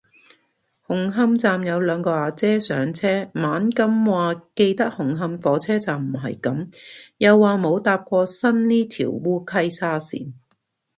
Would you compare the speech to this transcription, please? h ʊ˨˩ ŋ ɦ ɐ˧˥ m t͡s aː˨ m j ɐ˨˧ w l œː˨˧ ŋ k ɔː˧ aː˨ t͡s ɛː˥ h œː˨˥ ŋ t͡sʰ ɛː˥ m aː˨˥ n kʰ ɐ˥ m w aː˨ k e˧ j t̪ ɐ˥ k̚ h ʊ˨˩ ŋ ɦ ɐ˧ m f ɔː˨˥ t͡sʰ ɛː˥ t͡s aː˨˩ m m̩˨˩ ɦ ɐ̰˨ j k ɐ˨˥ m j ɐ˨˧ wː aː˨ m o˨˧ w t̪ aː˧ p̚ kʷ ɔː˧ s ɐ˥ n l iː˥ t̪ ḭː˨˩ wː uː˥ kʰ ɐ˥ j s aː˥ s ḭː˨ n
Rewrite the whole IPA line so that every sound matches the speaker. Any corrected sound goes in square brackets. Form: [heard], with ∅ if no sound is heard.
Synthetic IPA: h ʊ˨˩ ŋ ɦ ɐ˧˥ m t͡s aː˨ m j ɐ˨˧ w l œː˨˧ ŋ k ɔː˧ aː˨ t͡s ɛː˥ [s] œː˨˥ ŋ t͡sʰ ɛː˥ m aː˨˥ n [k] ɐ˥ m w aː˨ k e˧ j t̪ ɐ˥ k̚ h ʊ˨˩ ŋ ɦ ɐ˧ m f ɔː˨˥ t͡sʰ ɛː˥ t͡s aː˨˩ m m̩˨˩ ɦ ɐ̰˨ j k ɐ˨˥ m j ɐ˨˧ wː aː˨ m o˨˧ w t̪ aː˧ p̚ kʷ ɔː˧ s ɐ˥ n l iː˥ [t̪ʰ] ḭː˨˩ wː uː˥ kʰ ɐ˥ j s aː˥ s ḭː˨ n

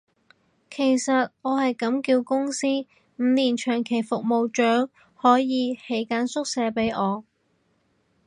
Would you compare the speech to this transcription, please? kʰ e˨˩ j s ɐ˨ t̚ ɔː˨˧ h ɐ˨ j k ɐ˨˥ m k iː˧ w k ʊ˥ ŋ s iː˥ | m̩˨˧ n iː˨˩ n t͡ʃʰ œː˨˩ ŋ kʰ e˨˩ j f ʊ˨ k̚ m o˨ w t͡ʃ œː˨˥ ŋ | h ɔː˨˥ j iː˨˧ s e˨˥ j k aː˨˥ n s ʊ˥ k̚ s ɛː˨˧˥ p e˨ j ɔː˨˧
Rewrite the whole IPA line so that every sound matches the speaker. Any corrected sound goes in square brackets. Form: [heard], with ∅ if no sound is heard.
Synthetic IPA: kʰ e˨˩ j s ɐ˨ t̚ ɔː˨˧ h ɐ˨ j k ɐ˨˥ m k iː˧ w k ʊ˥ ŋ s iː˥ | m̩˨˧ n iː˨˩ n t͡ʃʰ œː˨˩ ŋ kʰ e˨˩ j f ʊ˨ k̚ m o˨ w t͡ʃ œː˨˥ ŋ | h ɔː˨˥ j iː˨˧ [h] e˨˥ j k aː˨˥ n s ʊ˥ k̚ s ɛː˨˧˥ p [e˨˥] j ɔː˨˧

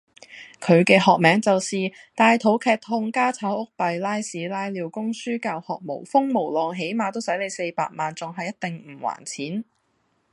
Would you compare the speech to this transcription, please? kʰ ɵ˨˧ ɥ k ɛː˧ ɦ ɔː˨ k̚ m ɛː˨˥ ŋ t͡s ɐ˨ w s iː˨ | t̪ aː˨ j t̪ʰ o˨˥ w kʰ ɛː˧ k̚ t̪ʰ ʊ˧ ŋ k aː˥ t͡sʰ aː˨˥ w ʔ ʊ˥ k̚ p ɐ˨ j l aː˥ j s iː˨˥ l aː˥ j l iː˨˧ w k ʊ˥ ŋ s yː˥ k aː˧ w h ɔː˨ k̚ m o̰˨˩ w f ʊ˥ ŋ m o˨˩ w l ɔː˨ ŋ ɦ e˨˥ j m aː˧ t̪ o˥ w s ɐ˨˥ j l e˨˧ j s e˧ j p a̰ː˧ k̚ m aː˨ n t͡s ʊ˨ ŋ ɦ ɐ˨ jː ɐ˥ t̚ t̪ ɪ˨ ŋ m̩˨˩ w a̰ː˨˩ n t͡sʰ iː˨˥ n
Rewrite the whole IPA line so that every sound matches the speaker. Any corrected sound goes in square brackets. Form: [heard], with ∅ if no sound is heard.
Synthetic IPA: kʰ ɵ˨˧ ɥ k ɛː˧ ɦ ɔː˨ k̚ m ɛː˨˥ ŋ t͡s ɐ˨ w s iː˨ | t̪ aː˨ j t̪ʰ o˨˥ w kʰ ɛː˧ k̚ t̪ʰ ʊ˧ ŋ k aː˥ t͡sʰ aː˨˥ w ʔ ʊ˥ k̚ p ɐ˨ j l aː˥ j s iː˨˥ l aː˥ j l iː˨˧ w k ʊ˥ ŋ s yː˥ k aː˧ w h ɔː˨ k̚ m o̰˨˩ w f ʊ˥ ŋ m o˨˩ w l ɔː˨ ŋ ɦ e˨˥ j m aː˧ t̪ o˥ w s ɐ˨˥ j l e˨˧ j s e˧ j p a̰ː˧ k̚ m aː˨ n t͡s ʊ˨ ŋ ɦ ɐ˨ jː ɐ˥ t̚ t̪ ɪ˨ ŋ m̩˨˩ w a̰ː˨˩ n t͡sʰ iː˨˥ n

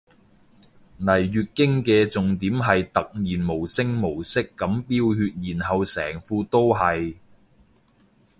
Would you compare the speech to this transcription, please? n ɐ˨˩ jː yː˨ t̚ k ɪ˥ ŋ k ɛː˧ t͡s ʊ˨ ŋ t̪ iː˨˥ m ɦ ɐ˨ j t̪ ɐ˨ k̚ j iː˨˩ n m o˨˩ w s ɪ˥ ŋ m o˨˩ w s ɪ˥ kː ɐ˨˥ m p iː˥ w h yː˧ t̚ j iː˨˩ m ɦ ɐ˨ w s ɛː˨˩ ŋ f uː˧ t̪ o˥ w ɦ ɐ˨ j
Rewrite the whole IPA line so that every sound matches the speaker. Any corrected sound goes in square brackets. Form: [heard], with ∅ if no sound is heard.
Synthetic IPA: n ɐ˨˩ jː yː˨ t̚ k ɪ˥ ŋ k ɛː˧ t͡s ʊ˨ ŋ t̪ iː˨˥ m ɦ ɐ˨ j t̪ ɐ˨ k̚ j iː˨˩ n m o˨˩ w s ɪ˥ ŋ m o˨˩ w s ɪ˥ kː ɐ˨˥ m p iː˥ w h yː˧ t̚ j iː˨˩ [n] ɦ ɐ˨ w s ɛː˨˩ ŋ f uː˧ t̪ o˥ w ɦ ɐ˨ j

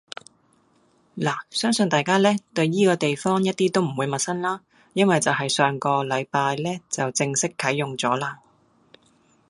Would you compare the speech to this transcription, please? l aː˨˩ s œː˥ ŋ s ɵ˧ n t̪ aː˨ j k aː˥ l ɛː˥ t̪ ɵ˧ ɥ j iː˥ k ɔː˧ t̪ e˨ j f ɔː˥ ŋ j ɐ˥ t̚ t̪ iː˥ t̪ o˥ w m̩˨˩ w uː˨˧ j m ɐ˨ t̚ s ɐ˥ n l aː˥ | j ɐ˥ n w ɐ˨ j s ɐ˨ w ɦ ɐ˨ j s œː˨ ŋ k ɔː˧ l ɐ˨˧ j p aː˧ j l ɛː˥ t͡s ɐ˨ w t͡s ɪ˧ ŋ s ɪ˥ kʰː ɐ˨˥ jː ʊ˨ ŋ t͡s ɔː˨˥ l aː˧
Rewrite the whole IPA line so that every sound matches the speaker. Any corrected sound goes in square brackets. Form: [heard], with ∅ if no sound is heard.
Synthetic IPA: l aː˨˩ s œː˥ ŋ s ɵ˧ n t̪ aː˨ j k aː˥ l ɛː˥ t̪ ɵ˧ ɥ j iː˥ k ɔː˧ t̪ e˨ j f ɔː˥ ŋ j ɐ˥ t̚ t̪ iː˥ t̪ o˥ w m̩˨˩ w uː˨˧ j m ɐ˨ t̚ s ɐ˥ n l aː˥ | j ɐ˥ n w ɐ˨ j [t͡s] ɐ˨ w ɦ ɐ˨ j s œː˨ ŋ k ɔː˧ l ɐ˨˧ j p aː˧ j l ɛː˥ t͡s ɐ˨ w t͡s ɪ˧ ŋ s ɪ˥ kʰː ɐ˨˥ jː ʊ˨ ŋ t͡s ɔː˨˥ l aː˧

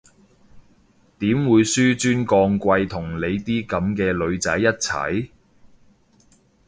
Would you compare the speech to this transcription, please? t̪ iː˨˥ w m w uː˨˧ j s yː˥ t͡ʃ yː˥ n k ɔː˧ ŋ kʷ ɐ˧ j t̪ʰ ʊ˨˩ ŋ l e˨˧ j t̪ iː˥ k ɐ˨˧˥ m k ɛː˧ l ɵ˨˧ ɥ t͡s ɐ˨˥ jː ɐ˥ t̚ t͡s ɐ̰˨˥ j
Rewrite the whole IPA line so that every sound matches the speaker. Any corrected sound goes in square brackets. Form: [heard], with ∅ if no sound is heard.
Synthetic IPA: t̪ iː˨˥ [∅] m w uː˨˧ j s yː˥ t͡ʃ yː˥ n k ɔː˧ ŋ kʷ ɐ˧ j t̪ʰ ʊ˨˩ ŋ l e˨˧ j t̪ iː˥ k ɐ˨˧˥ m k ɛː˧ l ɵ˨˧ ɥ t͡s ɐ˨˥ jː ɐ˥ t̚ [t͡sʰ] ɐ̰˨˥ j

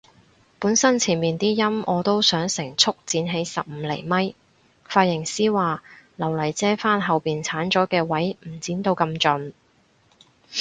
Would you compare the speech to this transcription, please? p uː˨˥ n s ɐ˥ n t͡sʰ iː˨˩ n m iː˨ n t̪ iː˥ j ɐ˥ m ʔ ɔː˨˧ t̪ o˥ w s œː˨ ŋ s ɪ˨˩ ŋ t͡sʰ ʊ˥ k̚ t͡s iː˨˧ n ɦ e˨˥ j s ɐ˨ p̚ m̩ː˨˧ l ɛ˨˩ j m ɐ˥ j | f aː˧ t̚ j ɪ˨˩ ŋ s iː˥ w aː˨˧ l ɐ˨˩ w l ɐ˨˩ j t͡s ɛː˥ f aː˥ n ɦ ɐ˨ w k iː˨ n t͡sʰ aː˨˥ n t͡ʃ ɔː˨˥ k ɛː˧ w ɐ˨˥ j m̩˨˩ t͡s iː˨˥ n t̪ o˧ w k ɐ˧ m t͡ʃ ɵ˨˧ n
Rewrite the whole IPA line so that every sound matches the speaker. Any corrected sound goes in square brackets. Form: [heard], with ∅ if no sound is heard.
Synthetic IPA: p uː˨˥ n s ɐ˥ n t͡sʰ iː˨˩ n m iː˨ n t̪ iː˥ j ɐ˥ m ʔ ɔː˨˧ t̪ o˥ w s [œː˨˥] ŋ s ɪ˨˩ ŋ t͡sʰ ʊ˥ k̚ t͡s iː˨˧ n ɦ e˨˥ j s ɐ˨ p̚ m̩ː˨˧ l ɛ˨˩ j m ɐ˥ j | f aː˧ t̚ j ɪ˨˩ ŋ s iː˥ w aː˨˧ l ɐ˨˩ w l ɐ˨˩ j t͡s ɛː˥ f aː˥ n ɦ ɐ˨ w [p] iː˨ n t͡sʰ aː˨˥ n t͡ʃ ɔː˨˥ k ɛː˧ w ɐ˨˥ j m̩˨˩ t͡s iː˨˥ n t̪ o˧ w k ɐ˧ m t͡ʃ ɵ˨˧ n

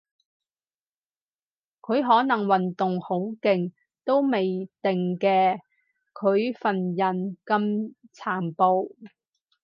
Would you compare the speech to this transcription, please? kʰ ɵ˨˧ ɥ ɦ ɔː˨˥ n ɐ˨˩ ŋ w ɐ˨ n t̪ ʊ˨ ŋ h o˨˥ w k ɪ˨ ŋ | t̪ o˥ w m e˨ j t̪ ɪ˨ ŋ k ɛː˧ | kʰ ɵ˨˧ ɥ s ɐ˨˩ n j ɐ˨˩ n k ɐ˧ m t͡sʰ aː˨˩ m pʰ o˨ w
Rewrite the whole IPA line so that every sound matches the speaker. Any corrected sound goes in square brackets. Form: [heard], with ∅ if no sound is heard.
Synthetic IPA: kʰ ɵ˨˧ ɥ ɦ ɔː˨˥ n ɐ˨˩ ŋ w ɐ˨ n t̪ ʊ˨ ŋ h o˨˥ w k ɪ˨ ŋ | t̪ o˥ w m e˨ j t̪ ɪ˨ ŋ k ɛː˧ | kʰ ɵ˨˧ ɥ [f] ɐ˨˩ n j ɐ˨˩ n k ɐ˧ m t͡sʰ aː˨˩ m [p] o˨ w

